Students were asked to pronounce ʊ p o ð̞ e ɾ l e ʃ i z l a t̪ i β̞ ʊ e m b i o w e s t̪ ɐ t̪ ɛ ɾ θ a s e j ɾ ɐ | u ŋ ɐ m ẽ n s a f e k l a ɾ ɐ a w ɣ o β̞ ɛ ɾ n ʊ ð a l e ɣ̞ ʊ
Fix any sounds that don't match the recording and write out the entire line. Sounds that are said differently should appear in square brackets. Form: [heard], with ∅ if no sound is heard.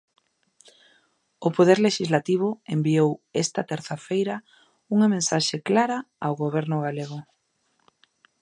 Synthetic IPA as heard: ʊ p o ð̞ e ɾ l e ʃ i z l a t̪ i β̞ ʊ e m b i o w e s t̪ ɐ t̪ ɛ ɾ θ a [f] e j ɾ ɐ | u ŋ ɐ m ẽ n s a [ʃ] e k l a ɾ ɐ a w ɣ o β̞ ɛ ɾ n ʊ [ɣ] a l e ɣ̞ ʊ